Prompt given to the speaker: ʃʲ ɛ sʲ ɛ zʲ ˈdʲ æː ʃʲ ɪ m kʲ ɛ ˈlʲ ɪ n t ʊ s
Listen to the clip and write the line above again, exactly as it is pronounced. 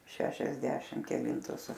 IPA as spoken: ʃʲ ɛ ʃʲ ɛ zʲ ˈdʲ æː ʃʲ ɪ m kʲ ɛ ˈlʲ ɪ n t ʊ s